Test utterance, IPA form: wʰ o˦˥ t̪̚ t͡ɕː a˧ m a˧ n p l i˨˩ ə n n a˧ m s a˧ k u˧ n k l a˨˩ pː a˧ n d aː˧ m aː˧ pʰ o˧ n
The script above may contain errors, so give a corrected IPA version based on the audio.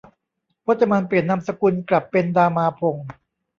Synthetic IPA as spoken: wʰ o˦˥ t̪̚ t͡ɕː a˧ m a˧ n p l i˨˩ ə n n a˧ m s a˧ k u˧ n k l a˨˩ pː e˧ n d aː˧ m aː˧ pʰ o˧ ŋ